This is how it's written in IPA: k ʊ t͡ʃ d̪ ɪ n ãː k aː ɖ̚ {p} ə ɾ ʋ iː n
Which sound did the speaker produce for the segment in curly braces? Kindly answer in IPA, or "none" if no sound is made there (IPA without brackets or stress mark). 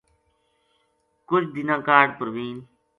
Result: p